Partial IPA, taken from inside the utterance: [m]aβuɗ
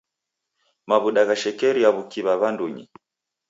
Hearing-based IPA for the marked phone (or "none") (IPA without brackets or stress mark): m